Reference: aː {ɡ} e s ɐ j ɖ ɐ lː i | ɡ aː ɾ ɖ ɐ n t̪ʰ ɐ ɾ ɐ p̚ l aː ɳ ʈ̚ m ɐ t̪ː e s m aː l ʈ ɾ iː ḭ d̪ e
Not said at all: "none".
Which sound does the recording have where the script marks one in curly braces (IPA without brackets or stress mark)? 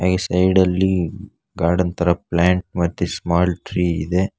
ɡ